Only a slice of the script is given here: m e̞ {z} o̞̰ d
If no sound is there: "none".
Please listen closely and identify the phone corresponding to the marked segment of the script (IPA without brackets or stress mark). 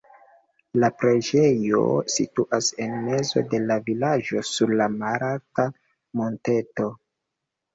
z